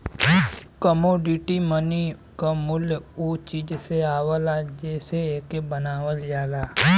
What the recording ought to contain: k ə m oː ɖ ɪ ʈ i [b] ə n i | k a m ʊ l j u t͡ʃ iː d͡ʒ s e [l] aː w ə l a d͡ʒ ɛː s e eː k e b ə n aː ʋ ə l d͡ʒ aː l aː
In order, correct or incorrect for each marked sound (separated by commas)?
incorrect, incorrect